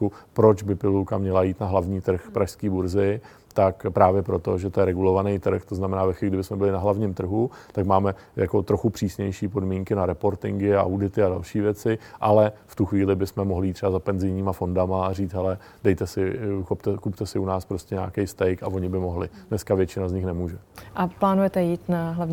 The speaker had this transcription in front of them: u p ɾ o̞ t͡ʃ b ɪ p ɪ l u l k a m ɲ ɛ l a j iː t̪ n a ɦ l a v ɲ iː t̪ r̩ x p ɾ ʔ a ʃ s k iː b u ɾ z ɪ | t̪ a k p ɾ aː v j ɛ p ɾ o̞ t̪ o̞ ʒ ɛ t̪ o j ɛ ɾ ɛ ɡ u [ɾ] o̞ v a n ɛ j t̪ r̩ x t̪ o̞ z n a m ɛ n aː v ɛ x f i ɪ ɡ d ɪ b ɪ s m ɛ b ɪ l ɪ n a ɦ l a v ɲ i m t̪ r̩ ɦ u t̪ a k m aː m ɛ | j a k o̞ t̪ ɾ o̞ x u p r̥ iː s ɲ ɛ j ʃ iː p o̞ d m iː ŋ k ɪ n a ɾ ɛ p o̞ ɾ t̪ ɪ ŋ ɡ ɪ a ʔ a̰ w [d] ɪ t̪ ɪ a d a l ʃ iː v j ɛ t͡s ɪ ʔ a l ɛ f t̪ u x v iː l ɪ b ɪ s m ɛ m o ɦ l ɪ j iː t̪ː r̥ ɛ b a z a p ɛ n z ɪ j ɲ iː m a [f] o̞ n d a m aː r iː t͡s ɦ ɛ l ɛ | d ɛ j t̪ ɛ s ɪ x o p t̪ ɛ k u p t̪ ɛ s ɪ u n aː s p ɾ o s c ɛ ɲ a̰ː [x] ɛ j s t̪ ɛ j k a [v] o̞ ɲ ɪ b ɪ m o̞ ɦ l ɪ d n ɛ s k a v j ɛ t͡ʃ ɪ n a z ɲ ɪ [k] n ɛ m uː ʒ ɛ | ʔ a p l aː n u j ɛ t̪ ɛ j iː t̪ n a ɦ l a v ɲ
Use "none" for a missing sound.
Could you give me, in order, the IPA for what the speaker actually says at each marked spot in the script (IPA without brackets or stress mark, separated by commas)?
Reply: l, d, f, k, v, x